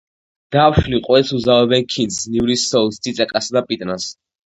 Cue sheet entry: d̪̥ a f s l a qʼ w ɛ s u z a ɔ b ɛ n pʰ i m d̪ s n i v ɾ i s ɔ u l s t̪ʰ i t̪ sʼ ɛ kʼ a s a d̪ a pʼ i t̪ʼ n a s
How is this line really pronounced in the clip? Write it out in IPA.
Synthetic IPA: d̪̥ a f ʃ l i qʼ w ɛ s u z a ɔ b ɛ n kʰ i n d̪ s n i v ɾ i s ɔ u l s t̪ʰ i t̪ sʼ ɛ kʼ a s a d̪ a pʼ i t̪ʼ n a s